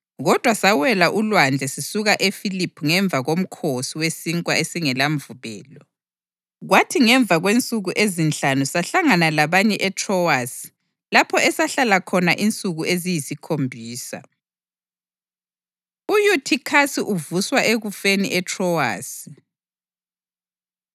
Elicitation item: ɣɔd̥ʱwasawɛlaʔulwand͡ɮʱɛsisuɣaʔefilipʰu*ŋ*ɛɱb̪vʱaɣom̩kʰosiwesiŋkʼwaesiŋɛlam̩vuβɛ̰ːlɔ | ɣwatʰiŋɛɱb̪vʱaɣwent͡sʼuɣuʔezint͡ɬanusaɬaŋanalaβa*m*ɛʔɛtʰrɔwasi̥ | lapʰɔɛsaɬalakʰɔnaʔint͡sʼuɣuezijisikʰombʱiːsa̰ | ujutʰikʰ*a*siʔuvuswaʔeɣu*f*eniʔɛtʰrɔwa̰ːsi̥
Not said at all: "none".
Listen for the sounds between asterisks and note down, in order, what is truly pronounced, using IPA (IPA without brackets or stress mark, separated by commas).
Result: ŋ, ɲ, a, f